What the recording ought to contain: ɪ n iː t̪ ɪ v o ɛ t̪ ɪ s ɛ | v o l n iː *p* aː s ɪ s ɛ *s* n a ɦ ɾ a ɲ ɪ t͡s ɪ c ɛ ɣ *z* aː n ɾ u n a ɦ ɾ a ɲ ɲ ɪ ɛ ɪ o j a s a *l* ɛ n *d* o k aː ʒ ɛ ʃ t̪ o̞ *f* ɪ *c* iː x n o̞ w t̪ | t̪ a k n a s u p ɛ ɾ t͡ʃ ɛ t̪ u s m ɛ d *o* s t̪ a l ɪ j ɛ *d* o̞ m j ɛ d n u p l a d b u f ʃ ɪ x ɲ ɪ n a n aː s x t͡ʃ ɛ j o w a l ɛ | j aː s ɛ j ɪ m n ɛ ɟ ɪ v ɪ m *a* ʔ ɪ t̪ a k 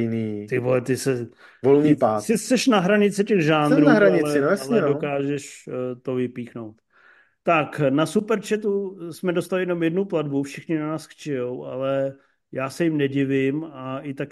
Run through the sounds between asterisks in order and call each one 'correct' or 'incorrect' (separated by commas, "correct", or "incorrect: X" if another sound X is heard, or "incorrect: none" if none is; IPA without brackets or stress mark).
correct, incorrect: ʃ, incorrect: ʒ, correct, correct, incorrect: v, incorrect: p, correct, incorrect: n, correct